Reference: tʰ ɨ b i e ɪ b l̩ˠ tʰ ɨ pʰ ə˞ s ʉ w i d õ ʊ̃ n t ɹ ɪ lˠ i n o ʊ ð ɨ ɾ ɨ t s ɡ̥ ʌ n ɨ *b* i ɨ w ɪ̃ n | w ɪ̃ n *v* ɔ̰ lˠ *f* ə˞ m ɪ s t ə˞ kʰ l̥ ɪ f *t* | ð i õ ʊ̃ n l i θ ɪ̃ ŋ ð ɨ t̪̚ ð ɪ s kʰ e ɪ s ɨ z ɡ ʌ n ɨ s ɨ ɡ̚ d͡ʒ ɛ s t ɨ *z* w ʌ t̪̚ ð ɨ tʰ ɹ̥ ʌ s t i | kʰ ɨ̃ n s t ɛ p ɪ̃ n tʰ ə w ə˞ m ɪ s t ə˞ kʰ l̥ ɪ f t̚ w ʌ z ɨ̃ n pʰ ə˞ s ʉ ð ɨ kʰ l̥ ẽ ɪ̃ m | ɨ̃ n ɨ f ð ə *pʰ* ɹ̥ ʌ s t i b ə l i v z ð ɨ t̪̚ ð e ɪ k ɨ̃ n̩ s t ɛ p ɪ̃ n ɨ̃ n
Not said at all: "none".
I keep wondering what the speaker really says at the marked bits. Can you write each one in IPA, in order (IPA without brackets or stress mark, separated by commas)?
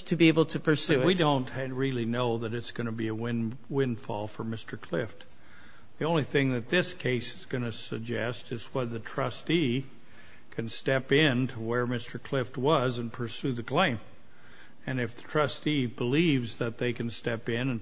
b, f, f, t, z, tʰ